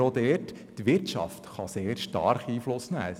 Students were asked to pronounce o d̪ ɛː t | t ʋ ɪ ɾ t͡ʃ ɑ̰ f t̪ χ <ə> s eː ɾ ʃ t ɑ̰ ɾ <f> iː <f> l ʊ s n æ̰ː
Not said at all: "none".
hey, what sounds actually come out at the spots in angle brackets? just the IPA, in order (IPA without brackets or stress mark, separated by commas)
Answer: ɑ, χ, f